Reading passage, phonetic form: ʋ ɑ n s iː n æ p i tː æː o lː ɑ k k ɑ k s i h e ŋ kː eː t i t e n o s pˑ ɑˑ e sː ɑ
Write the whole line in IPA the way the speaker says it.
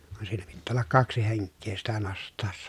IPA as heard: ʋ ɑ n s iː n æ p i tː æː o lː ɑ k k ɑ k s i h e ŋ kː eː s i t æ n o s tˑ ɑˑ e sː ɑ